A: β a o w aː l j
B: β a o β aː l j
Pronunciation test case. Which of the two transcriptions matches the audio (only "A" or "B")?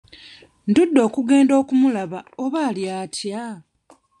B